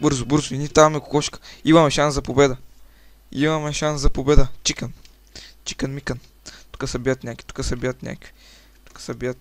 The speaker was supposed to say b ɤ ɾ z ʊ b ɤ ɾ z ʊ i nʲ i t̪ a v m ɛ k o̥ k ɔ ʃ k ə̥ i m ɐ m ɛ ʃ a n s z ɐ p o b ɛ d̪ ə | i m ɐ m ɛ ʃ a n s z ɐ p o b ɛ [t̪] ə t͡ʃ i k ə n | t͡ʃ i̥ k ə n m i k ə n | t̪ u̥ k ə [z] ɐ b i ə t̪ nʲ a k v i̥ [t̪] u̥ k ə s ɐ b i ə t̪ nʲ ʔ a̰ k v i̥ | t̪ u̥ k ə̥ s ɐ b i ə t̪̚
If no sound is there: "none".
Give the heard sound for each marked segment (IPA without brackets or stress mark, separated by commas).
d̪, s, t̪